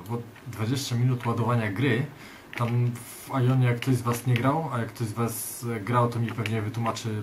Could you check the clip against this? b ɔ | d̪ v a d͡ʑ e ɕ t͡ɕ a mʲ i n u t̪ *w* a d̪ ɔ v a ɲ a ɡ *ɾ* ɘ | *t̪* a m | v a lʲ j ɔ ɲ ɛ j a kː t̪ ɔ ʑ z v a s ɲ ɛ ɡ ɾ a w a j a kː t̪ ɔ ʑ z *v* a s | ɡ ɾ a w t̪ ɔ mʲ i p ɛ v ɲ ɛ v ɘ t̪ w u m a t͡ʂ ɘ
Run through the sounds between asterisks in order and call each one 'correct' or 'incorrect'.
correct, correct, correct, correct

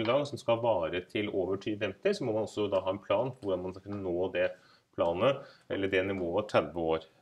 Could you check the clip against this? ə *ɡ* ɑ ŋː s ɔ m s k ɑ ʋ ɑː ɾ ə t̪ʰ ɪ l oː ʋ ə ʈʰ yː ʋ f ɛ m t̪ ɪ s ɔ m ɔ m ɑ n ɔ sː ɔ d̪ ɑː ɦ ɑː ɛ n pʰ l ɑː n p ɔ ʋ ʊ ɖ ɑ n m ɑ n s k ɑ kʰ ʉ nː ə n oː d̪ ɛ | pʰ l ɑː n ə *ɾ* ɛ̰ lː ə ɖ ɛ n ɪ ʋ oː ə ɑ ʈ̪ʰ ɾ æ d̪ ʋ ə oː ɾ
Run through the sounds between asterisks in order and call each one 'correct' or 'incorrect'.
correct, incorrect: none

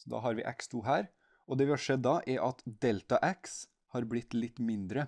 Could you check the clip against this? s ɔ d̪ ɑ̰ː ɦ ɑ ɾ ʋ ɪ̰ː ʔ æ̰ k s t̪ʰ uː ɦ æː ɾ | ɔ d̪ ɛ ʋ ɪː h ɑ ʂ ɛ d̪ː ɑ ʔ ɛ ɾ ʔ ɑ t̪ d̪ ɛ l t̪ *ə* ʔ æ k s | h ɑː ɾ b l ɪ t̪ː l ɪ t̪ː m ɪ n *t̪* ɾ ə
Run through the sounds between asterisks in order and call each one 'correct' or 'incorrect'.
incorrect: ɑ, incorrect: d̪

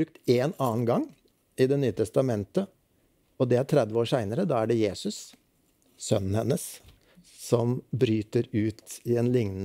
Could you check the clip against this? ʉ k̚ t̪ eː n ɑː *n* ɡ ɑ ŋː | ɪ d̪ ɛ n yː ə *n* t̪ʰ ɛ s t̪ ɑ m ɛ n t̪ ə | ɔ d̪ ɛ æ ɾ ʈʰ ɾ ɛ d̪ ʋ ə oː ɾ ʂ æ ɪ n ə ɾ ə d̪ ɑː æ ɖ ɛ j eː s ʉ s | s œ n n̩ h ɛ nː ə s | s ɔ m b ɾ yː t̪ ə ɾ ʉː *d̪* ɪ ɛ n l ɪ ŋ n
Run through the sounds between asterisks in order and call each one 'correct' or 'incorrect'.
correct, incorrect: none, incorrect: t̪

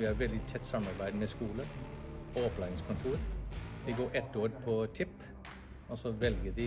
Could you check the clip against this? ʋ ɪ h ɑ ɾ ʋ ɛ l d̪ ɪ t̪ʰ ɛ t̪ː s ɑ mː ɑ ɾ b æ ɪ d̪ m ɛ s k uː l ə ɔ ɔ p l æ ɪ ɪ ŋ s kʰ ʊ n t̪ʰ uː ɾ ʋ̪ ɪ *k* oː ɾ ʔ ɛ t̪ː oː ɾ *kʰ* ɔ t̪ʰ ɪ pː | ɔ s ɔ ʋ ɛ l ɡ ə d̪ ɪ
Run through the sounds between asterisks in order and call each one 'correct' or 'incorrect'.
incorrect: ɡ, incorrect: pʰ

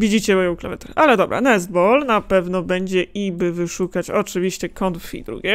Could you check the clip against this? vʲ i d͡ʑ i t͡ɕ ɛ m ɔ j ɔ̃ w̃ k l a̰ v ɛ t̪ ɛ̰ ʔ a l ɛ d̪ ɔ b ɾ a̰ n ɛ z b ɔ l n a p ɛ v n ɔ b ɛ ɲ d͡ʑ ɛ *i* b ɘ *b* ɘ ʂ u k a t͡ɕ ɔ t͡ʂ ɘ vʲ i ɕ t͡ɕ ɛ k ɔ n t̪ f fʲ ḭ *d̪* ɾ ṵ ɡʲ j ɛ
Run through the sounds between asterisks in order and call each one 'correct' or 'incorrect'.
correct, incorrect: v, correct

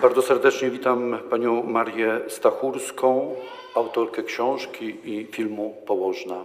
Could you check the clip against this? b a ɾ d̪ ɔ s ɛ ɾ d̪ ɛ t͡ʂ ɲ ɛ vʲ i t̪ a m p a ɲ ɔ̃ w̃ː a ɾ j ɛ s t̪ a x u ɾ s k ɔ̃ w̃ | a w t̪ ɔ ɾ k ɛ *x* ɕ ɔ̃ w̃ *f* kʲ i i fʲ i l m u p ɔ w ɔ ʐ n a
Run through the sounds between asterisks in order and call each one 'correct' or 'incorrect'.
incorrect: k, incorrect: ʂ

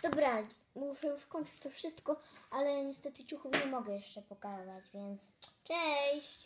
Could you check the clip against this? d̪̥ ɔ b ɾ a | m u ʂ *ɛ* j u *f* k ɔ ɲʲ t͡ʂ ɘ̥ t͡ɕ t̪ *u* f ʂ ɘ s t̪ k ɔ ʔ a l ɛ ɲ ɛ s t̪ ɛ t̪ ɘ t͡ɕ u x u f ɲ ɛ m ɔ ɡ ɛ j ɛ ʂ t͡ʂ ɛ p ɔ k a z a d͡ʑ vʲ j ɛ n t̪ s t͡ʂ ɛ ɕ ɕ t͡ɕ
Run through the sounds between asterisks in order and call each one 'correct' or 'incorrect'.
correct, incorrect: ʂ, incorrect: ɔ

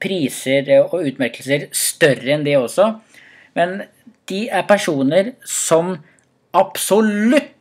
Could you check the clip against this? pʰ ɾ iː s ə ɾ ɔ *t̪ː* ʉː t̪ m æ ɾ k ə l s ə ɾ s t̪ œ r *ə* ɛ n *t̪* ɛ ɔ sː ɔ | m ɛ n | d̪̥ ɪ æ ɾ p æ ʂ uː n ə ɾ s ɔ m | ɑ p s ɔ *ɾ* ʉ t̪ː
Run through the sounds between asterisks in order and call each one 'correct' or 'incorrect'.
incorrect: none, correct, incorrect: d̪, incorrect: l

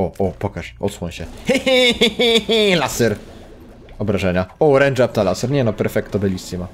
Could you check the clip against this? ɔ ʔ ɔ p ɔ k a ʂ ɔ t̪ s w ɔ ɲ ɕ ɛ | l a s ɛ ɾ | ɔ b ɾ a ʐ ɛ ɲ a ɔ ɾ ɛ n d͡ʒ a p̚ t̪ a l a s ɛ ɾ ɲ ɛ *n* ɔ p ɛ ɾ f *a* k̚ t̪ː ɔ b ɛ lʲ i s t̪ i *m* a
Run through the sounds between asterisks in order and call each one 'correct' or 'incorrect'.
correct, incorrect: ɛ, correct

